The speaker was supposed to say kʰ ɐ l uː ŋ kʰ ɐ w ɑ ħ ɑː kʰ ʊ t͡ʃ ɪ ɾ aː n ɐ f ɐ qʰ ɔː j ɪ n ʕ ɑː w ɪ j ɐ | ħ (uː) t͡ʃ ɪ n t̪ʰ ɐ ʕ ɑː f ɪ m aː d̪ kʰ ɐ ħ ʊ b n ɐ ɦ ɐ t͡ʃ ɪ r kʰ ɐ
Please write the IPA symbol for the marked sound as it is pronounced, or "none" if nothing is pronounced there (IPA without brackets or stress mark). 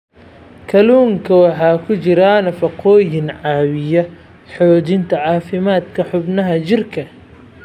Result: ɔː